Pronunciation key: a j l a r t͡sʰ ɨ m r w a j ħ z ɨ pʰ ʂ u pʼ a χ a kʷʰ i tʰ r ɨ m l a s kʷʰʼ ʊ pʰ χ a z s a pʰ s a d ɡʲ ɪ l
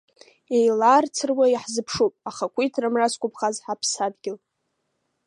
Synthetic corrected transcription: e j l a r t͡sʰ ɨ r w a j ħ z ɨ pʰ ʂ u pʼ a χ a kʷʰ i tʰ r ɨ m r a s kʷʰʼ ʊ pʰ χ a z ħ a pʰ s a d ɡʲ ɪ l